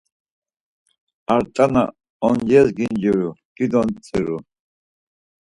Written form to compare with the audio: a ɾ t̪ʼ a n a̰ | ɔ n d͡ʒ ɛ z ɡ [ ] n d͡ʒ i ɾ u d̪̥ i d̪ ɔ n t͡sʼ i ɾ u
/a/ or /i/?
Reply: i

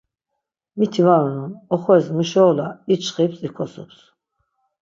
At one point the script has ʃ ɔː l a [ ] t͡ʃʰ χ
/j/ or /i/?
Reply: i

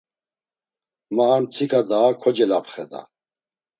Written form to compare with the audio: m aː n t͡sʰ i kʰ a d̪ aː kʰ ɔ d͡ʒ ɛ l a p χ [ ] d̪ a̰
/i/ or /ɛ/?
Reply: ɛ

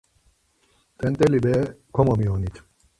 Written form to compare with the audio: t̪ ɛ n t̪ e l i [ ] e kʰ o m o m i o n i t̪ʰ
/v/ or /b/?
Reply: b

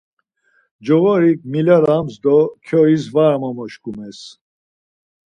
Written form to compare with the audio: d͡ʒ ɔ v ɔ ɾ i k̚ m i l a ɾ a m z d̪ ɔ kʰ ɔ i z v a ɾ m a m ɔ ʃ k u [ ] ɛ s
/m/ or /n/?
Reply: m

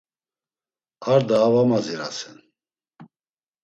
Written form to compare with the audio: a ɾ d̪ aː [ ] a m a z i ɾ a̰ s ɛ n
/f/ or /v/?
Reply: v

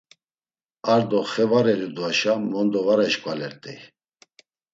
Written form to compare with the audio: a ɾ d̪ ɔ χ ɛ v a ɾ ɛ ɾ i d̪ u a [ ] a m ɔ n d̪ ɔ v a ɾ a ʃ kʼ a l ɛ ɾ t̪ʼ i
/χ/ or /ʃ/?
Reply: ʃ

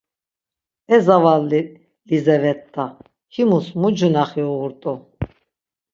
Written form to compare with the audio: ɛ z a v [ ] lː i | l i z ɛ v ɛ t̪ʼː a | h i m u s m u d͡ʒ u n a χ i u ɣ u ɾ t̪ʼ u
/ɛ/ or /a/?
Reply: a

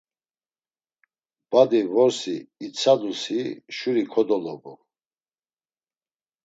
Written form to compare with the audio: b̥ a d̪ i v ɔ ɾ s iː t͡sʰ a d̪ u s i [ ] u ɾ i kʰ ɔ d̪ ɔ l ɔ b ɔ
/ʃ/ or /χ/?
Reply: ʃ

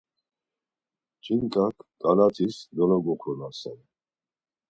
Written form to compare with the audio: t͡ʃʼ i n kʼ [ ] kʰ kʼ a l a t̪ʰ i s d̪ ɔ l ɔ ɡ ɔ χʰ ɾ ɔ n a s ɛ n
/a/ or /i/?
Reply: a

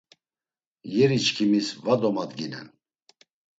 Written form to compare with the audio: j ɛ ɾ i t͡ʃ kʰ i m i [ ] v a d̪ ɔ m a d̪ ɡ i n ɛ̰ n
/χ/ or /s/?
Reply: s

